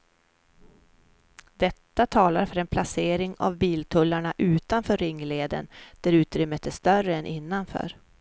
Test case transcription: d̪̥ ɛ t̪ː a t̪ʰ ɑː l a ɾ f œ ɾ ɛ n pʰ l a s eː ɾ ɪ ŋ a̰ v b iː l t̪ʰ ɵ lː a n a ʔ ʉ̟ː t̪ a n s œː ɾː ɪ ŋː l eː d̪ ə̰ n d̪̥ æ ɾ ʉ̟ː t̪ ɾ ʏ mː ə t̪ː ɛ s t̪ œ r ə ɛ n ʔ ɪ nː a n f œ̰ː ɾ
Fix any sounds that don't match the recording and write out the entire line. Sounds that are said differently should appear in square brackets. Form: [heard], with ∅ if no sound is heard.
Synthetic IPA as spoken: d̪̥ ɛ t̪ː a t̪ʰ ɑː l a ɾ f œ ɾ ɛ n pʰ l a s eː ɾ ɪ ŋ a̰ v b iː l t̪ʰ ɵ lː a [ɳ] a ʔ ʉ̟ː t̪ a n [f] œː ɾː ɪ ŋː l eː d̪ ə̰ n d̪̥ æ ɾ ʉ̟ː t̪ ɾ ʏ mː ə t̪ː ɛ s t̪ œ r ə ɛ n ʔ ɪ nː a n f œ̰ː ɾ